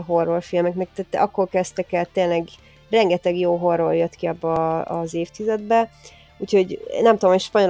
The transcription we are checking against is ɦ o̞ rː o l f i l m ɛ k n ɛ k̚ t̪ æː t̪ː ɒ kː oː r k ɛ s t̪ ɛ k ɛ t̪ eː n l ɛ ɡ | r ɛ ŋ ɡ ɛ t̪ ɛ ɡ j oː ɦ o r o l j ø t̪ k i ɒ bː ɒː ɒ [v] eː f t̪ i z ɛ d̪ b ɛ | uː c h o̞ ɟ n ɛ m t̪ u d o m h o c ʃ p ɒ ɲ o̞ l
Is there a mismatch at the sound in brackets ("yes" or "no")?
yes